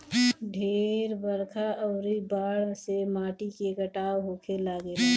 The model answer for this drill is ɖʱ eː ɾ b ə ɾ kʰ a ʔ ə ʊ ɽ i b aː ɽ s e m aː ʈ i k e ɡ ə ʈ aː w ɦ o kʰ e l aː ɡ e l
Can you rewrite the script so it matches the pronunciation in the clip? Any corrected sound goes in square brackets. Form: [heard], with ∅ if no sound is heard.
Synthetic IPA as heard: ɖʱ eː ɾ b ə ɾ kʰ a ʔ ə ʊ [ɾ] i b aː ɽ s e m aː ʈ i k e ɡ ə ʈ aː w ɦ o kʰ e l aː ɡ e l